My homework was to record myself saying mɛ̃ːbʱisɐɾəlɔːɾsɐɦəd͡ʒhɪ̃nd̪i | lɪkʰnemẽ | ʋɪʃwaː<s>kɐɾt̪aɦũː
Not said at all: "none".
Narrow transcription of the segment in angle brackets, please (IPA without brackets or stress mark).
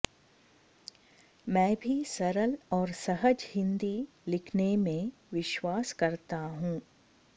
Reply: s